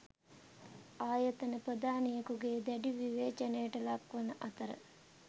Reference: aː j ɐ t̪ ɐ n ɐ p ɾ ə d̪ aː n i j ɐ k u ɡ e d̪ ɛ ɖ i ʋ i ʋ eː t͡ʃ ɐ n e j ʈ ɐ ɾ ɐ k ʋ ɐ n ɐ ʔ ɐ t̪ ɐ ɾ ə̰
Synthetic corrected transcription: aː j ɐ t̪ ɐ n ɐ p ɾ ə d̪ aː n i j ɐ k u ɡ e d̪ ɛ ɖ i ʋ i ʋ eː t͡ʃ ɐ n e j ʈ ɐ l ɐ k ʋ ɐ n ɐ ʔ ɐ t̪ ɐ ɾ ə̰